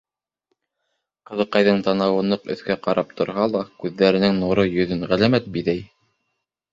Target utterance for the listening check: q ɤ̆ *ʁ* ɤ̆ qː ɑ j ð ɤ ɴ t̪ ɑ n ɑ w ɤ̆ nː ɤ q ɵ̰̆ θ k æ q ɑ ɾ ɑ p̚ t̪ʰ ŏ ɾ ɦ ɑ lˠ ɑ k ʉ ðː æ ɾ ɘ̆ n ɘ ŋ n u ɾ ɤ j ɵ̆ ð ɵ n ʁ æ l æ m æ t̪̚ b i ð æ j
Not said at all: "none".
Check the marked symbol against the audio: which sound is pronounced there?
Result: ð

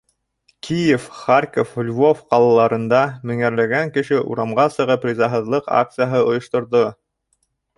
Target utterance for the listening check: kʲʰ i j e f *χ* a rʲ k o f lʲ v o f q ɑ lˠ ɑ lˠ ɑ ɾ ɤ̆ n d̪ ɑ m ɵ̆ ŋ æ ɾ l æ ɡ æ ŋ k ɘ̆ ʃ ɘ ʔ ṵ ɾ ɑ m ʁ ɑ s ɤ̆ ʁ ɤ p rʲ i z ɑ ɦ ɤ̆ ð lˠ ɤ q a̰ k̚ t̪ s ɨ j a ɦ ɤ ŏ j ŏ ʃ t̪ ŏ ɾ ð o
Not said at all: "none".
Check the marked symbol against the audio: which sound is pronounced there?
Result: χ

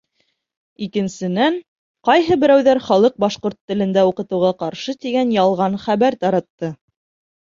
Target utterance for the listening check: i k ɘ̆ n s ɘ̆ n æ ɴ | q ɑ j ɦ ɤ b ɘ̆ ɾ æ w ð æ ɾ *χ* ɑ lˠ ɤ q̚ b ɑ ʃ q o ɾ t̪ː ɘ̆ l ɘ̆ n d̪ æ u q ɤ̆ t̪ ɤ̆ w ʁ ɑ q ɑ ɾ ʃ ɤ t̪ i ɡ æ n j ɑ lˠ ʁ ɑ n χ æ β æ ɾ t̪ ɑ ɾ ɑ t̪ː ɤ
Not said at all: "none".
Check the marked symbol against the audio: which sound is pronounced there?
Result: χ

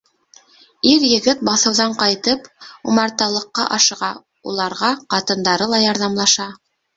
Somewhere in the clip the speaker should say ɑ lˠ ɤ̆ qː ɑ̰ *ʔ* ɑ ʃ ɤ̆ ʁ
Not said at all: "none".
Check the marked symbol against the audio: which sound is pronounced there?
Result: ʔ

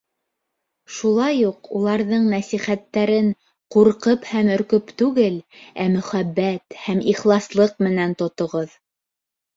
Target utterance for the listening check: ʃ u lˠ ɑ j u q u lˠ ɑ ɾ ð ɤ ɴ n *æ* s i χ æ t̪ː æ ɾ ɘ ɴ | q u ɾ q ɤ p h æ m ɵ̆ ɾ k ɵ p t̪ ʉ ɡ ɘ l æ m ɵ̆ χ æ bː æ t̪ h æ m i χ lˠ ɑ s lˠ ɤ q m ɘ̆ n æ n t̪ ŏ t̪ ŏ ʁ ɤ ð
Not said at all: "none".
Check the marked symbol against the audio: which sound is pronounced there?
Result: æ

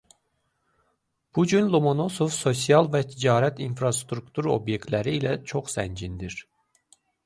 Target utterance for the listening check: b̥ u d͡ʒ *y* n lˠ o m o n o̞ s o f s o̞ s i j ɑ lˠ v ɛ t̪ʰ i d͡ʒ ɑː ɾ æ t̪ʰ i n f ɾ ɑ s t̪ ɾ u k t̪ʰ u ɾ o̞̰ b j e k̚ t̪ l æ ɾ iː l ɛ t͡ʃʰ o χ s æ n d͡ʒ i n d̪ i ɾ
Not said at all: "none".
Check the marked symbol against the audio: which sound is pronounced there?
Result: y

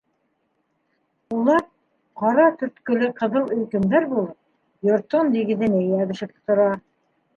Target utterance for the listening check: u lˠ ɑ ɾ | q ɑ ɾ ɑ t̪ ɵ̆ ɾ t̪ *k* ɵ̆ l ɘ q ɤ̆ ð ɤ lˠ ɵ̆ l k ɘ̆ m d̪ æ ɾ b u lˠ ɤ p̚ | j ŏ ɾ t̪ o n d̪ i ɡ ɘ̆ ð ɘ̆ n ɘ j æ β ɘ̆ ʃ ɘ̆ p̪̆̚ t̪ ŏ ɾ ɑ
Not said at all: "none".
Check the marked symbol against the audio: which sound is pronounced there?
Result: k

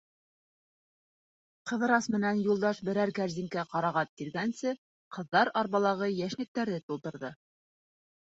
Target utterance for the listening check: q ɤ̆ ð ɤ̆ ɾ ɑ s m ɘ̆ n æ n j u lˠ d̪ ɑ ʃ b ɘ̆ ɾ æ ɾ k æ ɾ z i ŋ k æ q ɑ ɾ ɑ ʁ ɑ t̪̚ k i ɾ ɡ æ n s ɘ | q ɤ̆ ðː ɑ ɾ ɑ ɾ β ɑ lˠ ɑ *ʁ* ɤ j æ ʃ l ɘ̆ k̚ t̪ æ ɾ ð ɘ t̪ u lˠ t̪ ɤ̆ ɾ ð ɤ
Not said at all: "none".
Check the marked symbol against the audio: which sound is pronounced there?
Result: ʁ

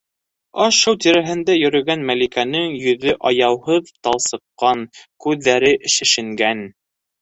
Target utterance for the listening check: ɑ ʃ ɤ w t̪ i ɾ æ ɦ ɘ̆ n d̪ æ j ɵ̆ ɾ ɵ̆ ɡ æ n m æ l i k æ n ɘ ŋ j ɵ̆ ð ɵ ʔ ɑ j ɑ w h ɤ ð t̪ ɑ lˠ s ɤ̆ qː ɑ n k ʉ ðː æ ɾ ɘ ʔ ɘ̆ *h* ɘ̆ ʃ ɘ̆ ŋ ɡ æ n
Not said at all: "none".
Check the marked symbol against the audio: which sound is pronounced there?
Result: ʃ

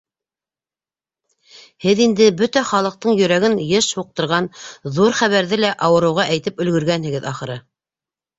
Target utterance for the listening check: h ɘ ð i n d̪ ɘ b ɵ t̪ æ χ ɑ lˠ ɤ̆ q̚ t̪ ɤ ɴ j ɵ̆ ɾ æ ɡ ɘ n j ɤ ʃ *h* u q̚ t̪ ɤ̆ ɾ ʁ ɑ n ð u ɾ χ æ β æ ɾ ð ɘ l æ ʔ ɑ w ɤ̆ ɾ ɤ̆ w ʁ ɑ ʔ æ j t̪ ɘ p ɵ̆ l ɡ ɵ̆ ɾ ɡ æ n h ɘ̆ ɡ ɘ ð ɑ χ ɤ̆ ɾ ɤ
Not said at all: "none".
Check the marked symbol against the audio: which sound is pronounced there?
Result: h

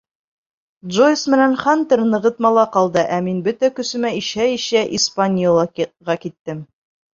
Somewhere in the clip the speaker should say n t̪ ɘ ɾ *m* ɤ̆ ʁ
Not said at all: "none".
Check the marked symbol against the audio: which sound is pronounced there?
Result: n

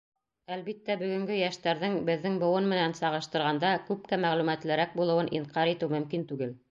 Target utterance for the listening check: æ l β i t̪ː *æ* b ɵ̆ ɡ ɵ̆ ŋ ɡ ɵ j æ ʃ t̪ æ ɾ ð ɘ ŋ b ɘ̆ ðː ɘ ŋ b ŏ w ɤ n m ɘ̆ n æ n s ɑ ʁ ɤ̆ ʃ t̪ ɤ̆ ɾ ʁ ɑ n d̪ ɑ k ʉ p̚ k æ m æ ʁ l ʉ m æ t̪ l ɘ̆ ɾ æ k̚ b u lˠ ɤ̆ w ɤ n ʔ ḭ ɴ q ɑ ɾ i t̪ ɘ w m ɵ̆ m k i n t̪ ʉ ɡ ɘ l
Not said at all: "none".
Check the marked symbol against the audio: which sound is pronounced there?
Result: æ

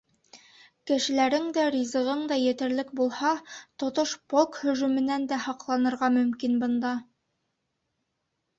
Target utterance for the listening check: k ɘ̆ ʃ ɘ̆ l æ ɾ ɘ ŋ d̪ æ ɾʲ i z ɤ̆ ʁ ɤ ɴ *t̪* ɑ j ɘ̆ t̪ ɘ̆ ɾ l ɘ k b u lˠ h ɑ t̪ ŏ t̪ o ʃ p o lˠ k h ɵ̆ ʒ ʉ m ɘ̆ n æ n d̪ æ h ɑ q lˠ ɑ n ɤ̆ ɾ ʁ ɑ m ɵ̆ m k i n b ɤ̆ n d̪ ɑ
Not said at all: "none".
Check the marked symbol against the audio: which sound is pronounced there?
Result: d̪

